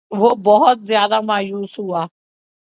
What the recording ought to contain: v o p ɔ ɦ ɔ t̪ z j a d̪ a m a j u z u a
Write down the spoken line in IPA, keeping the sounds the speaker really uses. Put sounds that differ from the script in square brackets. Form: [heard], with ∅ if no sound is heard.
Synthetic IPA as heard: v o [b] ɔ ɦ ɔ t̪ z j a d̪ a m a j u [s] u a